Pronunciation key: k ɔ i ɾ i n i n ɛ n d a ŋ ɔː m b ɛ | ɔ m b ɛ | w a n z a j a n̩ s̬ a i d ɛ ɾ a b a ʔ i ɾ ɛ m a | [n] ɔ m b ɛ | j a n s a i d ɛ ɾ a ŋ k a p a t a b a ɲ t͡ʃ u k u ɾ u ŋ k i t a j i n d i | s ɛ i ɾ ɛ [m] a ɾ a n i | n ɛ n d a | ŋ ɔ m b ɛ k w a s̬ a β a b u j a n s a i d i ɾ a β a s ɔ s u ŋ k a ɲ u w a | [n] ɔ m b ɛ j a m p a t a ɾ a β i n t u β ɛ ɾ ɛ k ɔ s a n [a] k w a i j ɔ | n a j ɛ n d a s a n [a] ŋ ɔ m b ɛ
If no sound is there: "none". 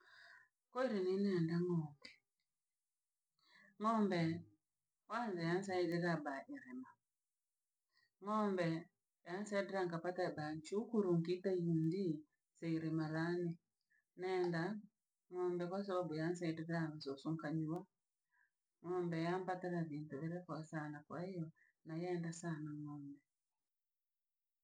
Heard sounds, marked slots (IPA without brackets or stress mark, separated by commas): ŋ, m, ŋ, a, a